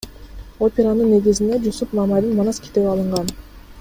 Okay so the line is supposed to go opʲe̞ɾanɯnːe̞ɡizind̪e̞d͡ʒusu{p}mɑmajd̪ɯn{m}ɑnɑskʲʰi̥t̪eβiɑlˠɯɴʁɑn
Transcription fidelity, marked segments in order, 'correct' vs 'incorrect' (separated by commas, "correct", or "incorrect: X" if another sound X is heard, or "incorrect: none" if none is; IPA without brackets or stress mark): correct, correct